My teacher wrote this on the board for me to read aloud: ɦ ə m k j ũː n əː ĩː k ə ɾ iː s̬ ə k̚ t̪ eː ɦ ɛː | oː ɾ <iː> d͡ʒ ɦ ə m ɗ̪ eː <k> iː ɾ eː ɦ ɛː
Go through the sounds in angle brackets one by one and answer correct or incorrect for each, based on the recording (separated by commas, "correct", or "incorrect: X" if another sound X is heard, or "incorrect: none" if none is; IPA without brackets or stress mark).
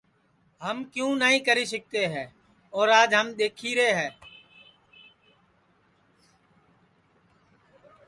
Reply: incorrect: aː, incorrect: kʰ